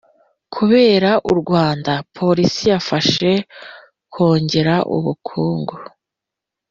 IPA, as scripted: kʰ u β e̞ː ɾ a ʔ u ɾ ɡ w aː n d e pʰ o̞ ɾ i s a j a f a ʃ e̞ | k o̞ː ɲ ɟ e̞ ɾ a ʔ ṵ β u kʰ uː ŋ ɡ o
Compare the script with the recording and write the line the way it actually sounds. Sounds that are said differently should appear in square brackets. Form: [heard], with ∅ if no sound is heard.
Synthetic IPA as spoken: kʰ u β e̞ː ɾ a ʔ u ɾ ɡ w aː n d [a] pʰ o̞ ɾ i s [i] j a f a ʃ e̞ | k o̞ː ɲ ɟ e̞ ɾ a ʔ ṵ β u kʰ uː ŋ ɡ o